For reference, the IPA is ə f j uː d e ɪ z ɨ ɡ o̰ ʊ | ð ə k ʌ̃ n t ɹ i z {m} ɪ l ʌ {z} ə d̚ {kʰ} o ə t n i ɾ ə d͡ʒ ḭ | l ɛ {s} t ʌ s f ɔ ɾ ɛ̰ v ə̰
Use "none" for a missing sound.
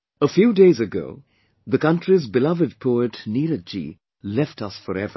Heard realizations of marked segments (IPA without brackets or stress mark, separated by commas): b, v, pʰ, f